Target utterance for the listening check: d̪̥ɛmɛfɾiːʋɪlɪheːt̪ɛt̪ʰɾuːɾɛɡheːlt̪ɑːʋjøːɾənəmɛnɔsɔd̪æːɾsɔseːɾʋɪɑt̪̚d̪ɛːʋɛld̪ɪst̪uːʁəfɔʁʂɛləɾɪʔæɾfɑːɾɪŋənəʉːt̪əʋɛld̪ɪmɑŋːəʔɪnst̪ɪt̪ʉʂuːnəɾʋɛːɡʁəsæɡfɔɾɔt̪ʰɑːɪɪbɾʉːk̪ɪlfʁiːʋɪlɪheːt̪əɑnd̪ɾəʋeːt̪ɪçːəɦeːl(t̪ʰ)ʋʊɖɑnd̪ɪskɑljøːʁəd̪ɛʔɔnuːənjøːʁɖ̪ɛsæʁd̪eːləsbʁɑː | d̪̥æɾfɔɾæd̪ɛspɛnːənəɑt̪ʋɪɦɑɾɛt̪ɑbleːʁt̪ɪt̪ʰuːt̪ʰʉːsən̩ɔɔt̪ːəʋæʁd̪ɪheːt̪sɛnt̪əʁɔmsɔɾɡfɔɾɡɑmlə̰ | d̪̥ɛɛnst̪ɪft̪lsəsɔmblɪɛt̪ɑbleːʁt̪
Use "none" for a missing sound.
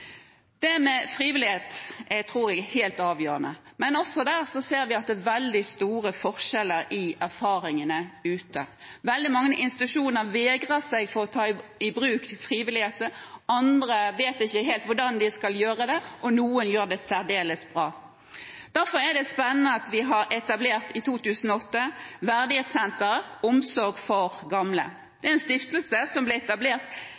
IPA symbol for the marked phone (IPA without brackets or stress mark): t̪